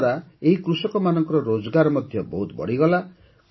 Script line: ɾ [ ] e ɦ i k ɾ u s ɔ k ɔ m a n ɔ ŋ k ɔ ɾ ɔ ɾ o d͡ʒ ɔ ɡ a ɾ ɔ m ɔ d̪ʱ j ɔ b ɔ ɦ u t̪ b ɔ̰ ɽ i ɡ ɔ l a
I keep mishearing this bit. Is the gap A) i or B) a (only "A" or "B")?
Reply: B